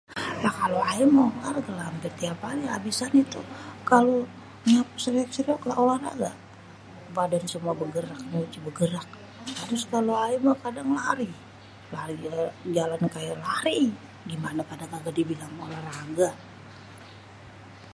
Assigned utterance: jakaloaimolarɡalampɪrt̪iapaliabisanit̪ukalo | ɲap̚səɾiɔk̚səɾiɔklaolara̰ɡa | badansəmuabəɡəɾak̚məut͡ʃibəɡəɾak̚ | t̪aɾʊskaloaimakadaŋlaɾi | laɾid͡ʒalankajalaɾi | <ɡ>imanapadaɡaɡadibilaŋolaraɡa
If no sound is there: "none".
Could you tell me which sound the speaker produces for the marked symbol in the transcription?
ɡ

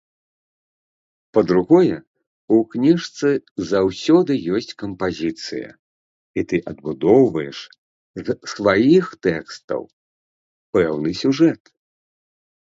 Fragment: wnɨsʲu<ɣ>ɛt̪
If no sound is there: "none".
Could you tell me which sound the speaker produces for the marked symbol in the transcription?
ʐ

